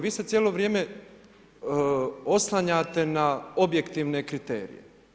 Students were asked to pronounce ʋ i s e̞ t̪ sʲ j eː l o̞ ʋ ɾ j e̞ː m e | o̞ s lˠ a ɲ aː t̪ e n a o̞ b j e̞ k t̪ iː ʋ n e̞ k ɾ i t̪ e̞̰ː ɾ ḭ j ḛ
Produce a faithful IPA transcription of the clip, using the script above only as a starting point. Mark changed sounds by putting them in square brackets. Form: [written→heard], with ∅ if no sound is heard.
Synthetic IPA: ʋ [i→iː] s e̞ t̪ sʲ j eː l o̞ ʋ ɾ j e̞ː m e | o̞ s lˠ a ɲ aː t̪ e n a o̞ b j e̞ k t̪ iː ʋ n e̞ k ɾ i t̪ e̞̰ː ɾ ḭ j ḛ